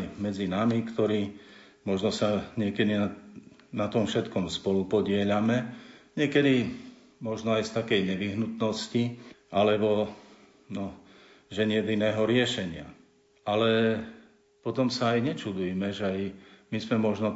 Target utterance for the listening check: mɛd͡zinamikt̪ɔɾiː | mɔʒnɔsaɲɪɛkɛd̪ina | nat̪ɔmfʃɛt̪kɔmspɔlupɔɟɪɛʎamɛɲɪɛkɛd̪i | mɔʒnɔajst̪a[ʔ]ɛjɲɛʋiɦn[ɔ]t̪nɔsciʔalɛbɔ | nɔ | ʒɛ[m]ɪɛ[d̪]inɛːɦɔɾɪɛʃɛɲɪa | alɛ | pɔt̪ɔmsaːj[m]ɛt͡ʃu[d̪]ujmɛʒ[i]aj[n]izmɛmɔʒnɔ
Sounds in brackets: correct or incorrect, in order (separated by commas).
incorrect, incorrect, incorrect, correct, incorrect, correct, incorrect, incorrect